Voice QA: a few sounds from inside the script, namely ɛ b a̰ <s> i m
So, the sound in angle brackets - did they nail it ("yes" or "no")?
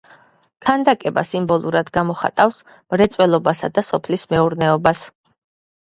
yes